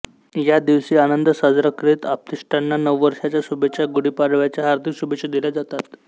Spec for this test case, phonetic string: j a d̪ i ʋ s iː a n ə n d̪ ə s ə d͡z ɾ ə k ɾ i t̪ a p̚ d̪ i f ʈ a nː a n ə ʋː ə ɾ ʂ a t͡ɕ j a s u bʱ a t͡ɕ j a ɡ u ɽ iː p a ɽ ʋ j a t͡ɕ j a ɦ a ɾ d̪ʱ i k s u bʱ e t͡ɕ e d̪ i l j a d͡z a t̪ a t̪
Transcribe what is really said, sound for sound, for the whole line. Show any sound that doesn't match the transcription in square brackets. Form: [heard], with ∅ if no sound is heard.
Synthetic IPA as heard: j a d̪ i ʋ s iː a n ə n d̪ ə s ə d͡z ɾ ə k ɾ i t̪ a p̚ [t̪] i [s] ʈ a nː a n ə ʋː ə ɾ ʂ a t͡ɕ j a s u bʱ [e] t͡ɕ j a ɡ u ɽ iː p a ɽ ʋ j a t͡ɕ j a ɦ a ɾ d̪ʱ i k s u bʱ e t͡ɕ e d̪ i l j a d͡z a t̪ a t̪

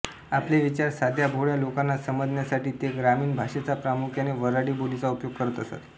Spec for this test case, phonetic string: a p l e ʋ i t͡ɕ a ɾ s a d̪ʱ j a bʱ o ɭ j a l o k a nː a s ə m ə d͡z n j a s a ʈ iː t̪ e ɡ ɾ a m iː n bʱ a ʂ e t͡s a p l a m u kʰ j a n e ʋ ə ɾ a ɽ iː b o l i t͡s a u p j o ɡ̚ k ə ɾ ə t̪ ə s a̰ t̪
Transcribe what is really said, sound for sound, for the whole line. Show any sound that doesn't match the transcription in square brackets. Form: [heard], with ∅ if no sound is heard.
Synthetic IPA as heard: a p l e ʋ i t͡ɕ a ɾ s a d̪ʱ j a bʱ o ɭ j a l o k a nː a s ə m ə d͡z n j a s a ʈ iː t̪ e ɡ ɾ a m iː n bʱ a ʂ e t͡s a p [ɾ] a m u kʰ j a n e ʋ ə ɾ a ɽ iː b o l i t͡s a u p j o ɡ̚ k ə ɾ ə t̪ ə s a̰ t̪

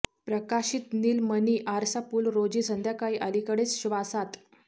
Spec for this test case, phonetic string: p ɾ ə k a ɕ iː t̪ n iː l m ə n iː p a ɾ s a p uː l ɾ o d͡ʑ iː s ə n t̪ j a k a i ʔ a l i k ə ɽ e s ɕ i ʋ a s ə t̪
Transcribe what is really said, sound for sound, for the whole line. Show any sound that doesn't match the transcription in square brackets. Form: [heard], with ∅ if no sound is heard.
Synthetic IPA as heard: p ɾ ə k a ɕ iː t̪ n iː l m ə n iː [ʔ] a ɾ s a p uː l ɾ o d͡ʑ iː s ə n [d̪] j a k a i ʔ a l i k ə ɽ e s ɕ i ʋ a s [a] t̪

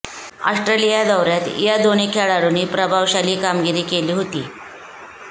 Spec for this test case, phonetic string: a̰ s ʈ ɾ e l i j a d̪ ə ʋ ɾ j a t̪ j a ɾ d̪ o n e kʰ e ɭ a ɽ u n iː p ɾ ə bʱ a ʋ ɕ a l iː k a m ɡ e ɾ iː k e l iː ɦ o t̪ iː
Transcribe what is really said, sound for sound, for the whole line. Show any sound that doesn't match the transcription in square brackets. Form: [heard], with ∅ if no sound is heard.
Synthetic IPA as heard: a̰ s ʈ ɾ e l i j a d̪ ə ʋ ɾ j a t̪ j a [∅] d̪ o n e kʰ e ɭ a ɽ u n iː p ɾ ə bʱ a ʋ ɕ a l iː k a m ɡ [i] ɾ iː k e l iː ɦ o t̪ iː

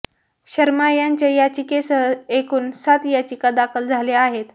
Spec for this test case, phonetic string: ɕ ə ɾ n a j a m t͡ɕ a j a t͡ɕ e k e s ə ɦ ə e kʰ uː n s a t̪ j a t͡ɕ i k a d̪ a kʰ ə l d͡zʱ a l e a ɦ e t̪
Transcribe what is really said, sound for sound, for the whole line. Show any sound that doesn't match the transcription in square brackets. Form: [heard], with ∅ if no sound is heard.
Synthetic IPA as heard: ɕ ə ɾ [m] a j a [ɲ] t͡ɕ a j a t͡ɕ [i] k e s ə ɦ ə e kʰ uː n s a t̪ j a t͡ɕ i k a d̪ a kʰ ə l d͡zʱ a l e a ɦ e t̪

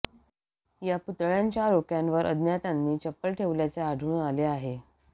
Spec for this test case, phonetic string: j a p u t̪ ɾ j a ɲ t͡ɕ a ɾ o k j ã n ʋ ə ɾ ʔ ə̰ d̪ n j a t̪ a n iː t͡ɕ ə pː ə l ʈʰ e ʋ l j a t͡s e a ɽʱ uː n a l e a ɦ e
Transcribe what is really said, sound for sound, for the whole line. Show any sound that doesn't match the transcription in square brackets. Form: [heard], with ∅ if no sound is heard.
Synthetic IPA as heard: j a p u t̪ [ɭ] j a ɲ t͡ɕ a ɾ o k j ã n ʋ ə ɾ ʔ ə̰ d̪ n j a t̪ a [nː] iː t͡ɕ ə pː ə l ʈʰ e ʋ l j a t͡s e a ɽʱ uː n a l e a ɦ e

